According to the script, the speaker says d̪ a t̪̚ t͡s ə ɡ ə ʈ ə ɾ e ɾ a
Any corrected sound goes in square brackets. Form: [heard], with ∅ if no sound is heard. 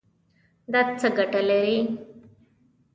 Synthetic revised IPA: d̪ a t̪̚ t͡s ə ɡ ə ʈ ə [l] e ɾ [i]